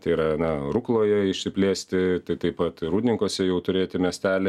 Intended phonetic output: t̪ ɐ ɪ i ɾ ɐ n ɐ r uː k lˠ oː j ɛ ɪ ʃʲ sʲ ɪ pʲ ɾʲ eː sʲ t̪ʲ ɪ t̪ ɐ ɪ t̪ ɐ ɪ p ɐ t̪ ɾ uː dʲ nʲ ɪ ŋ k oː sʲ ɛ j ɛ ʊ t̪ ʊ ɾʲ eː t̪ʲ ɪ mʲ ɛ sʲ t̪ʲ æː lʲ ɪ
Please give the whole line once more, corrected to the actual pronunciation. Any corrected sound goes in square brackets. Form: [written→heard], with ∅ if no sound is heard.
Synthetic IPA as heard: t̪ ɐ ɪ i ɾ ɐ n ɐ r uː k lˠ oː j ɛ ɪ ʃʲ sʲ ɪ pʲ [ɾʲ→lʲ] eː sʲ t̪ʲ ɪ t̪ ɐ ɪ t̪ ɐ ɪ p ɐ t̪ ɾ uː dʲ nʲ ɪ ŋ k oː sʲ ɛ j ɛ ʊ t̪ ʊ ɾʲ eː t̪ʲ ɪ mʲ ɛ sʲ t̪ʲ æː lʲ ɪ

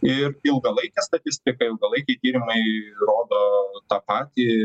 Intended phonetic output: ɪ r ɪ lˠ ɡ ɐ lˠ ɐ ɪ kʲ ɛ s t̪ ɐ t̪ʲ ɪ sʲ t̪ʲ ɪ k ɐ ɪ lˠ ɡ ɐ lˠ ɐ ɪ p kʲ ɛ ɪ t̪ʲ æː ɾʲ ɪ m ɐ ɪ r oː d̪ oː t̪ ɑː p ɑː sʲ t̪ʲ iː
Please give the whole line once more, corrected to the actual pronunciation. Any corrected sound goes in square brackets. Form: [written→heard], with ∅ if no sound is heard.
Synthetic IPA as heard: ɪ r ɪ lˠ ɡ ɐ lˠ ɐ ɪ kʲ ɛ s t̪ ɐ t̪ʲ ɪ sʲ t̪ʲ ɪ k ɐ ɪ lˠ ɡ ɐ lˠ ɐ ɪ [p→∅] kʲ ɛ ɪ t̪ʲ [æː→iː] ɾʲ ɪ m ɐ ɪ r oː d̪ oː t̪ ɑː p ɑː [sʲ→∅] t̪ʲ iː

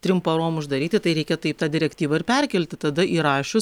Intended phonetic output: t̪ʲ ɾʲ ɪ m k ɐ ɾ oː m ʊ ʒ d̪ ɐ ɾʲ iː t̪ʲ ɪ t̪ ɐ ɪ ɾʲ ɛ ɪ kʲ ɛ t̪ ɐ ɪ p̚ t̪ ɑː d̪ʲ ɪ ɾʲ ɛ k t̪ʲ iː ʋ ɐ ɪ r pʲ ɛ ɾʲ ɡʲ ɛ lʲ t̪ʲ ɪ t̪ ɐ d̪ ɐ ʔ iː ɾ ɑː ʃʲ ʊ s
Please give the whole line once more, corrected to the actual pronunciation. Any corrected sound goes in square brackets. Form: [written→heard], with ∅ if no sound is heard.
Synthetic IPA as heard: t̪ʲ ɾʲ ɪ m [k→p] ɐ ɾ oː m ʊ ʒ d̪ ɐ ɾʲ iː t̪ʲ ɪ t̪ ɐ ɪ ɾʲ ɛ ɪ kʲ ɛ t̪ ɐ ɪ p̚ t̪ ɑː d̪ʲ ɪ ɾʲ ɛ k t̪ʲ iː ʋ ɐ ɪ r pʲ ɛ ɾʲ [ɡʲ→kʲ] ɛ lʲ t̪ʲ ɪ t̪ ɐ d̪ ɐ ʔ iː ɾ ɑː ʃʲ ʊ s

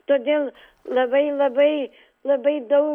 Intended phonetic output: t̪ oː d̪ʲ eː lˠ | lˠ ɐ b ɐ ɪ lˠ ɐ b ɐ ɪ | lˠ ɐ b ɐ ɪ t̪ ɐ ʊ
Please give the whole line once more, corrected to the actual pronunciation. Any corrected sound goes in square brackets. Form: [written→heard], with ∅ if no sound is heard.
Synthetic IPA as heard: t̪ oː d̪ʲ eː lˠ | lˠ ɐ b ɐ ɪ lˠ ɐ b ɐ ɪ | lˠ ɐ b ɐ ɪ [t̪→d̪] ɐ ʊ

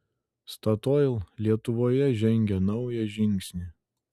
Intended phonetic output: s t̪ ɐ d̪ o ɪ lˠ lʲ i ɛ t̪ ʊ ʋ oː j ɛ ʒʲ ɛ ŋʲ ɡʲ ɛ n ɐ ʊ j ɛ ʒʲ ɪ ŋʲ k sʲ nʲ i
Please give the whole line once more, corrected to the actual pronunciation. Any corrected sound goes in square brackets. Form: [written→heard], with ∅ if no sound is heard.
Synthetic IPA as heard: s t̪ ɐ [d̪→t̪] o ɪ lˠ lʲ i ɛ t̪ ʊ ʋ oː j ɛ ʒʲ ɛ ŋʲ ɡʲ ɛ n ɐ ʊ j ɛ ʒʲ ɪ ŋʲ k sʲ nʲ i

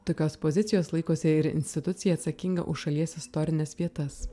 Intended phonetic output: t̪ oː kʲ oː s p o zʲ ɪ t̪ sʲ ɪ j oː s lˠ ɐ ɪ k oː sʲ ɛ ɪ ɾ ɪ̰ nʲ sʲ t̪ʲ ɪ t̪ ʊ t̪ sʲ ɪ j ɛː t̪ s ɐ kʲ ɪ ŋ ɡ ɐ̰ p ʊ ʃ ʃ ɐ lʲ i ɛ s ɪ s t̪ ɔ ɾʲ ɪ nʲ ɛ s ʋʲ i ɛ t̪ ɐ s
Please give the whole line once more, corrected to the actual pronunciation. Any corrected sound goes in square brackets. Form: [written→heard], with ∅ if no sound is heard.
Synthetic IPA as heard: t̪ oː kʲ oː s p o zʲ ɪ t̪ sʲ ɪ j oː s lˠ ɐ ɪ k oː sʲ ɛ ɪ ɾ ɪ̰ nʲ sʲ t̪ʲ ɪ t̪ ʊ t̪ sʲ ɪ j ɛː t̪ s ɐ kʲ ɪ ŋ ɡ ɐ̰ [p→ʔ] ʊ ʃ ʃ ɐ lʲ i ɛ s ɪ s t̪ ɔ ɾʲ ɪ nʲ ɛ s ʋʲ i ɛ t̪ ɐ s

